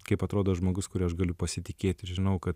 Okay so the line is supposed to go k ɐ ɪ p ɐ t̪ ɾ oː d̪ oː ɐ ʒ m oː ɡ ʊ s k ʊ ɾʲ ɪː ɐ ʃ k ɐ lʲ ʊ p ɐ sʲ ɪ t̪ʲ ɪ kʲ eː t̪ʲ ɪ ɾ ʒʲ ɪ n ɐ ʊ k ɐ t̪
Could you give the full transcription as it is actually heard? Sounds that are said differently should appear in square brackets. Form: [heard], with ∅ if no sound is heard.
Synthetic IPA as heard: k ɐ ɪ p ɐ t̪ ɾ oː d̪ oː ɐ ʒ m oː ɡ ʊ s k ʊ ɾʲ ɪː ɐ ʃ [ɡ] ɐ lʲ ʊ p ɐ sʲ ɪ t̪ʲ ɪ kʲ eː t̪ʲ ɪ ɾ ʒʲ ɪ n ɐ ʊ k ɐ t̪